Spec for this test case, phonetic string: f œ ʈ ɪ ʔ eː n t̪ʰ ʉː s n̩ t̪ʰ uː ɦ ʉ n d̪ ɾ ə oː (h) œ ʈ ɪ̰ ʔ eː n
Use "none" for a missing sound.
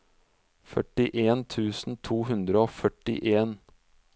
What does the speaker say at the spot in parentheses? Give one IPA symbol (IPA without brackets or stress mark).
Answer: f